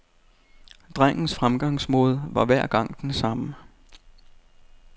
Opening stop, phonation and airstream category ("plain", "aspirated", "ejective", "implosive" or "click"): plain